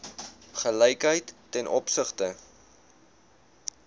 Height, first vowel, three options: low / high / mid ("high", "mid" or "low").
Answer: mid